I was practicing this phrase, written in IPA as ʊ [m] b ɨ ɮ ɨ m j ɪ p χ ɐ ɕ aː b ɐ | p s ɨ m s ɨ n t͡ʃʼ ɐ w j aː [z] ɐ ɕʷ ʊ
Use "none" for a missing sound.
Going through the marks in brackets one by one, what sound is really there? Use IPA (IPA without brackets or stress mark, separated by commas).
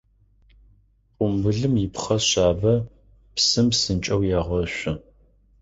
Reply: m, ʁ